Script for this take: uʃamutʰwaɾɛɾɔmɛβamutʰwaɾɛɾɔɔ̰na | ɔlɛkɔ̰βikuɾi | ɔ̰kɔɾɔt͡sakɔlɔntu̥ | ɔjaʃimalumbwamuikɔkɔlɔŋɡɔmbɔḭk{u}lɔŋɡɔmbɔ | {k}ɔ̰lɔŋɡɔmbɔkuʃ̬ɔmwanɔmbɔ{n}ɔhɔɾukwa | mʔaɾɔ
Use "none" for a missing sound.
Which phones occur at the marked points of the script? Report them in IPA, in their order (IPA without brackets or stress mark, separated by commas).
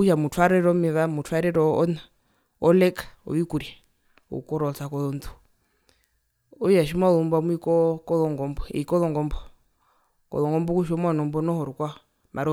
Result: ɔ, k, n